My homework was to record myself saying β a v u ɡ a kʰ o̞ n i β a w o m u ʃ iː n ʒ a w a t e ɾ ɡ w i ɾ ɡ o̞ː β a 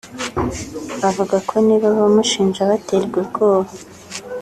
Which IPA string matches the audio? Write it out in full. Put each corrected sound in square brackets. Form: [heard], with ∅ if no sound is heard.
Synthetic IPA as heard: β a v u ɡ a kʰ o̞ n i β a [β] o m u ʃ iː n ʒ a [β] a t e ɾ ɡ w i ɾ ɡ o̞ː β a